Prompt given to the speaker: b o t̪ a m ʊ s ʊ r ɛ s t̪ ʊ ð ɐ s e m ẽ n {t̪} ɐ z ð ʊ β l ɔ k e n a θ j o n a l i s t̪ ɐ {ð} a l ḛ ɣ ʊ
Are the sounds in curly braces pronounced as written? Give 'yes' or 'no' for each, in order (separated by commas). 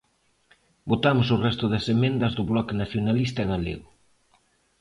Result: no, no